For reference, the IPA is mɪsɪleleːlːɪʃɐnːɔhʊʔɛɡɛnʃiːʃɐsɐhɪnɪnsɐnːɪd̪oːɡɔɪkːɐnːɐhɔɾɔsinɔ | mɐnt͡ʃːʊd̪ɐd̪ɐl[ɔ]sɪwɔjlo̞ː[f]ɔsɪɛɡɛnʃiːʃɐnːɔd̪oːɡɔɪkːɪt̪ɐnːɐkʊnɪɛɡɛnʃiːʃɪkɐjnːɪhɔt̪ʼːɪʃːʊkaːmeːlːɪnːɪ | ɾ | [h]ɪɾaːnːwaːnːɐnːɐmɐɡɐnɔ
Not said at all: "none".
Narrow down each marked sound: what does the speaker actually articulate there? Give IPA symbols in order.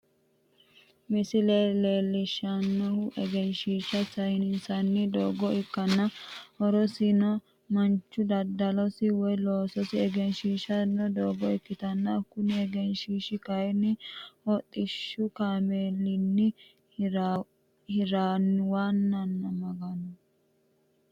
ɔ, s, h

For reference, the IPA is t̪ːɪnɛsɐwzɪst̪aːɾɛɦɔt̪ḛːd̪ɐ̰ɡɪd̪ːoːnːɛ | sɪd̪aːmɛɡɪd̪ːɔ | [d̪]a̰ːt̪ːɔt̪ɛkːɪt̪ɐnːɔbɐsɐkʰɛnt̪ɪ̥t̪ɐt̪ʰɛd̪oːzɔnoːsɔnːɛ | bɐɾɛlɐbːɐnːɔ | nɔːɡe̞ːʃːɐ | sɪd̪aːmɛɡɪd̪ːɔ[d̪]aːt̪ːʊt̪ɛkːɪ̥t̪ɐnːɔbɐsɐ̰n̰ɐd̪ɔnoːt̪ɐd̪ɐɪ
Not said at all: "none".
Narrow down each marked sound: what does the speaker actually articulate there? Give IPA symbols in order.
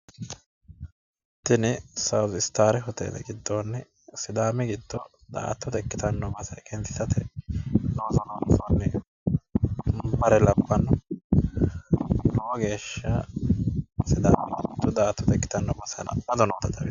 d̪, d̪

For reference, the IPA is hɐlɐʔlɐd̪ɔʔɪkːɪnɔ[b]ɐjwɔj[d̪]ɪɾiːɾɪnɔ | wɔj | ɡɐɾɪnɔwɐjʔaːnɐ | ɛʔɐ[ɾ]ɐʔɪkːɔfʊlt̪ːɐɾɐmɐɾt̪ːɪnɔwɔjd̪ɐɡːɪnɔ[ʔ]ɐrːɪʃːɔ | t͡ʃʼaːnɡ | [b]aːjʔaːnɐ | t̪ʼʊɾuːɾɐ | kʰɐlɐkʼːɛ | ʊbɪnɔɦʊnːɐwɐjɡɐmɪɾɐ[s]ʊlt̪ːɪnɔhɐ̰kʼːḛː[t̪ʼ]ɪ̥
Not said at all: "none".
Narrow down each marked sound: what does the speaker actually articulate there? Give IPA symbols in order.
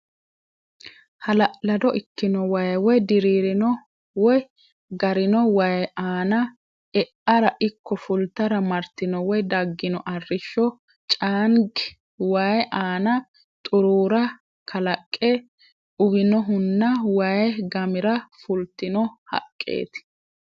w, d̪, ɾ, ʔ, w, f, t̪

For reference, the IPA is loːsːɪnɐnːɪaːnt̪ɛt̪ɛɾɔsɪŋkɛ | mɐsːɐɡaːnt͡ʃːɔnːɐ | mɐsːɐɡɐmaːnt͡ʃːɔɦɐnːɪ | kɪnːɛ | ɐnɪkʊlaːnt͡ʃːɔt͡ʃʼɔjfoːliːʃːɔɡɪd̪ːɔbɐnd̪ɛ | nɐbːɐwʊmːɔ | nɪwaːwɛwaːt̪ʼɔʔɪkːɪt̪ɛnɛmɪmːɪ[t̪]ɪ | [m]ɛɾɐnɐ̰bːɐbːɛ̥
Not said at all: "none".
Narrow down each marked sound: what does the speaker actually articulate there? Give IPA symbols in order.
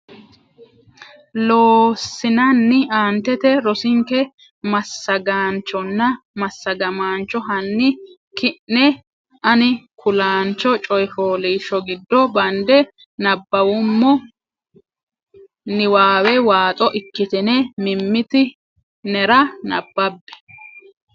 t̪, n

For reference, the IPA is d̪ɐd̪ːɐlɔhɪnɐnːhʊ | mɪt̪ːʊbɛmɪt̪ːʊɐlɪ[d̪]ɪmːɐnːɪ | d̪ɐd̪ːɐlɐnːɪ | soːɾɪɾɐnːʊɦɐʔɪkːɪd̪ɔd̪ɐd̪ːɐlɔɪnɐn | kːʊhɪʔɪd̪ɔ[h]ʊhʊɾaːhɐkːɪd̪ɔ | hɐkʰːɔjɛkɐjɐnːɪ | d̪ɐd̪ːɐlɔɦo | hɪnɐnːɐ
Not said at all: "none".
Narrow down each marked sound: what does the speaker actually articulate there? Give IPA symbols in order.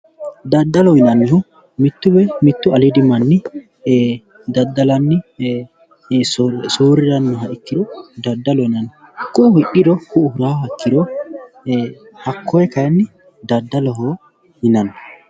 d̪, h

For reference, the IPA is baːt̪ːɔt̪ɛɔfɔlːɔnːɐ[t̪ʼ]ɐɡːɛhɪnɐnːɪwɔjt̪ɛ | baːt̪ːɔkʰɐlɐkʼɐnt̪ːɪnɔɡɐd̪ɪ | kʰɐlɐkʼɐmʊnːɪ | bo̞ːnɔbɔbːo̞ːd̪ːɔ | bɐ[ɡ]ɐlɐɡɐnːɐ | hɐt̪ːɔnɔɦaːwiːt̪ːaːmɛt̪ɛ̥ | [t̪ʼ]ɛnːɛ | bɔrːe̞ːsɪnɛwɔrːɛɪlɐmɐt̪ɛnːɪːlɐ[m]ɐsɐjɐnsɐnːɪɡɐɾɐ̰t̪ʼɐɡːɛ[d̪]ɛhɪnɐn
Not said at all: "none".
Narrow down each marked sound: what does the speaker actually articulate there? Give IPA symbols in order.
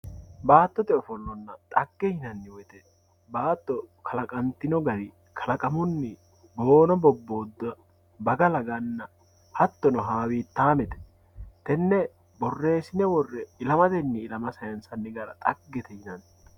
t̪ʼ, ɡ, t̪, m, t̪

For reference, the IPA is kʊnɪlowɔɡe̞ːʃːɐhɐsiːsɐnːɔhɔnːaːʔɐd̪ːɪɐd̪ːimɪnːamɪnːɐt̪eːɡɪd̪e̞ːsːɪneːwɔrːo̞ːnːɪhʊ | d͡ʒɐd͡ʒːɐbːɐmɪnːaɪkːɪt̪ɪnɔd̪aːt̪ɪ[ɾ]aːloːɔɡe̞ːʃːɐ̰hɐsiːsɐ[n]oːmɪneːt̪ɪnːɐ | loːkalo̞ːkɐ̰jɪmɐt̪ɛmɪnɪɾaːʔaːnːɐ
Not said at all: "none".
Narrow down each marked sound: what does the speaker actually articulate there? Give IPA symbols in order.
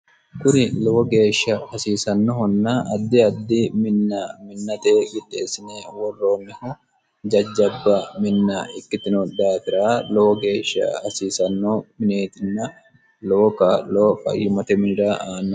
ɾ, nː

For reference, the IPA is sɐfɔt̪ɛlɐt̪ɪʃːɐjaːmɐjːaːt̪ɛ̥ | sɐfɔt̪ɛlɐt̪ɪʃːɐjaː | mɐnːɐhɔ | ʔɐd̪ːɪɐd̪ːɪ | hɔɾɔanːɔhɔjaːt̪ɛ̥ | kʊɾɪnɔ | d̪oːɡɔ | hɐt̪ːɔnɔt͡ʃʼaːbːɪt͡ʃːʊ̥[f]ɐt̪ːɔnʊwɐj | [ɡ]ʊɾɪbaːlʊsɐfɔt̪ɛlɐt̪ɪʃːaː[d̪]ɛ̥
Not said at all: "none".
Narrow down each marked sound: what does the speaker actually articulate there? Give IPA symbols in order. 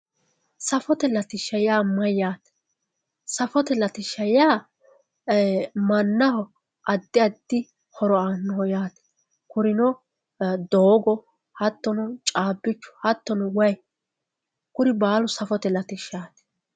h, k, t̪

